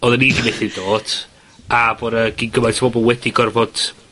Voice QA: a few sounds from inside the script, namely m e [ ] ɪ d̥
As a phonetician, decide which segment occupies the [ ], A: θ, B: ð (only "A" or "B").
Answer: A